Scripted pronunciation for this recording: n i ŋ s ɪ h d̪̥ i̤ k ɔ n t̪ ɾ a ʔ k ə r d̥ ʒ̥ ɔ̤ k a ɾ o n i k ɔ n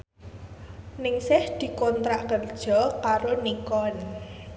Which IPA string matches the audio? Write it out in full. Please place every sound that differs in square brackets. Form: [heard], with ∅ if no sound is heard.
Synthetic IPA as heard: n [ɪ] ŋ s ɪ h d̪̥ i̤ k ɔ n t̪ ɾ a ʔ k ə r d̥ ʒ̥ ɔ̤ k a ɾ o n i k ɔ n